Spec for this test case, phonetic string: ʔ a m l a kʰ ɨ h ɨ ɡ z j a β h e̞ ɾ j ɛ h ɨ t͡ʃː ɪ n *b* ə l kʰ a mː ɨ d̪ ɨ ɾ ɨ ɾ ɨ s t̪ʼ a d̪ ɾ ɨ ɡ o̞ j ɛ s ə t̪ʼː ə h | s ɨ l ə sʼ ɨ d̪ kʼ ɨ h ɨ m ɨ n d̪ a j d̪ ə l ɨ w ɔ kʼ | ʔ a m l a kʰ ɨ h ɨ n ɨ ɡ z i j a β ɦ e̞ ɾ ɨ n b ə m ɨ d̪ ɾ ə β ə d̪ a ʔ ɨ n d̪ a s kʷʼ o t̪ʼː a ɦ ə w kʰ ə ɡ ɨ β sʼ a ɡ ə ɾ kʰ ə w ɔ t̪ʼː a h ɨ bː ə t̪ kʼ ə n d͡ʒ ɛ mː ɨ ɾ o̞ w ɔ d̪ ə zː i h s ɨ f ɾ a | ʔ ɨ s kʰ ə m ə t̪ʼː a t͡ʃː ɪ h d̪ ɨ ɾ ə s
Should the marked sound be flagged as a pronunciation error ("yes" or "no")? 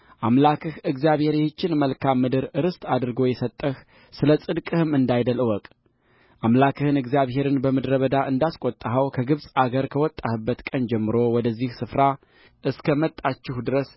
yes